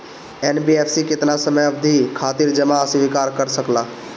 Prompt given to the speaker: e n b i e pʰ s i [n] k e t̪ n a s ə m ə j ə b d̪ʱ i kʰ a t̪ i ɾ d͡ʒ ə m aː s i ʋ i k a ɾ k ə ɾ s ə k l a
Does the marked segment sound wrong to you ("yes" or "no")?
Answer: yes